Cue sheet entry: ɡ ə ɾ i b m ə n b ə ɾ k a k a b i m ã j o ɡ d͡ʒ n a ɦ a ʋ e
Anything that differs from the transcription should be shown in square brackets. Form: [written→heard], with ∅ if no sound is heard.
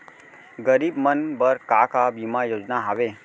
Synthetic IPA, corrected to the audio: ɡ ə ɾ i b m ə n b ə ɾ k a k a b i m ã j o [ɡ→∅] d͡ʒ n a ɦ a ʋ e